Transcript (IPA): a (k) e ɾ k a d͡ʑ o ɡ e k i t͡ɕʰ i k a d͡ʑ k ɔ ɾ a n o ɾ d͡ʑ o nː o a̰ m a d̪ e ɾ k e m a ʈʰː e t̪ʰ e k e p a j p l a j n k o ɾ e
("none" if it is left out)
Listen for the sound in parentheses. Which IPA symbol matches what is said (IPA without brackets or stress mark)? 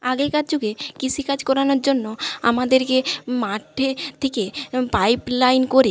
ɡ